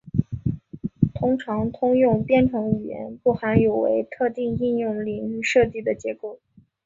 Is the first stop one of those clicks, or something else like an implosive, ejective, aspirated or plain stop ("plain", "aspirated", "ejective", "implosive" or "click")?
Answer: aspirated